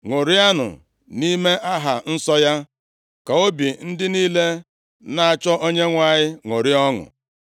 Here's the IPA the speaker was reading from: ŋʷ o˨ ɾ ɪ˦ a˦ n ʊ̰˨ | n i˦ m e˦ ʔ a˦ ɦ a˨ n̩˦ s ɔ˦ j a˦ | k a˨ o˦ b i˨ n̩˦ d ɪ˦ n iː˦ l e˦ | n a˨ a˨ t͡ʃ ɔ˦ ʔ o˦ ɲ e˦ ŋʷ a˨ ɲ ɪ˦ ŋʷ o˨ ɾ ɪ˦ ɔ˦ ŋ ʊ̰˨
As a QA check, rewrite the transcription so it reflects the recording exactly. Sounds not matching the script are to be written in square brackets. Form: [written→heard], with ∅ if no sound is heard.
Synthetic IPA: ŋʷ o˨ ɾ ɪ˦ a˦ n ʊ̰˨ | n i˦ m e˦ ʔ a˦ ɦ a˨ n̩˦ s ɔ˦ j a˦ | k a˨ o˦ b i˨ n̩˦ d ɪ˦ n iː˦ l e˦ | n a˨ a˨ t͡ʃ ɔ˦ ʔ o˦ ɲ e˦ ŋʷ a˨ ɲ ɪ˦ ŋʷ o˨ ɾ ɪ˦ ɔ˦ ŋ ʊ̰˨